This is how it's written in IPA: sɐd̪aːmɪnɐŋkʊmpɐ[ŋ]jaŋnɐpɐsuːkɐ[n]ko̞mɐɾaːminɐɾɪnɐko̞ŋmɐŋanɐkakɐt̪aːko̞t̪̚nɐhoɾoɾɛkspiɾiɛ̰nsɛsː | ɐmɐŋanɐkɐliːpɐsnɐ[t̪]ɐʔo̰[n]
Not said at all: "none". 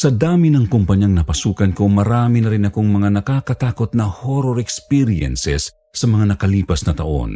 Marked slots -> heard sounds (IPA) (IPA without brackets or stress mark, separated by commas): ɲ, n, t̪, n